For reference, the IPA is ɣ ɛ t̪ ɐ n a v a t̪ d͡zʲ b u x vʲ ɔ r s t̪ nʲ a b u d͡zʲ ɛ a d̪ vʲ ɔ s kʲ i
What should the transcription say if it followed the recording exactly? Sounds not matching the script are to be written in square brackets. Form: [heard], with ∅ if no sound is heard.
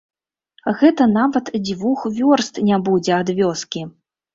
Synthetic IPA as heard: ɣ ɛ t̪ ɐ n a v [ɐ] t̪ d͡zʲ [v] u x vʲ ɔ r s t̪ nʲ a b u d͡zʲ ɛ a d̪ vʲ ɔ s kʲ i